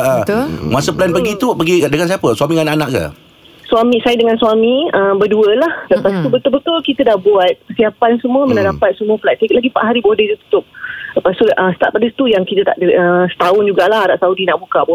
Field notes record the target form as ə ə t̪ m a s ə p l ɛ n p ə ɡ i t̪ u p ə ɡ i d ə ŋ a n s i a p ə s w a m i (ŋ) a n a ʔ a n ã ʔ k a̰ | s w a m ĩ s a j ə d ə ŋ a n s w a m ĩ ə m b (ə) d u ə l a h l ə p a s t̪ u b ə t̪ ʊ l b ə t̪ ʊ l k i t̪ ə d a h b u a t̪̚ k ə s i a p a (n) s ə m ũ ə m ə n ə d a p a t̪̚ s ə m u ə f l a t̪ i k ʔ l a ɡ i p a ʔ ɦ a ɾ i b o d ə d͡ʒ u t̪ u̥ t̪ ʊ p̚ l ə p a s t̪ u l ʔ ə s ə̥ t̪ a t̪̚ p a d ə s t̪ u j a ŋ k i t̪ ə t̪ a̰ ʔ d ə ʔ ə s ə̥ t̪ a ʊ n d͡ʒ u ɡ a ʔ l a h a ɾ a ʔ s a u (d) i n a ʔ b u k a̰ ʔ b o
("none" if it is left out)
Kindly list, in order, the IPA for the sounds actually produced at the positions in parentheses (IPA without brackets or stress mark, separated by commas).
ŋ, ə, n, d